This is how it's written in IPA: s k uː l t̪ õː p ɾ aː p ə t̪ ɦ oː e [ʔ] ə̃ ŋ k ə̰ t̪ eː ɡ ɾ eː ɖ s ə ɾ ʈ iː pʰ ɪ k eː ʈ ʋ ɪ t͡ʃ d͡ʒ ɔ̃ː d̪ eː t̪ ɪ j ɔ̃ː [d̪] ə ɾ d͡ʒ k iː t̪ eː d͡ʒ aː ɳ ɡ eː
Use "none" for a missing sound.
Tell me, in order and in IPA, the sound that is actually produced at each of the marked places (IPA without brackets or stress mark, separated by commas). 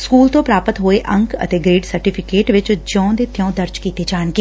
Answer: ʔ, d̪